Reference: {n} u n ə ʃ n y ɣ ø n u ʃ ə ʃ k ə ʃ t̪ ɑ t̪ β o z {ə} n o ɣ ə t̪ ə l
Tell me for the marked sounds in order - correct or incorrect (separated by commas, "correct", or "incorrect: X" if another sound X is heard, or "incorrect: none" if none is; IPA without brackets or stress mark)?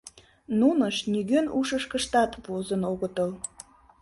correct, correct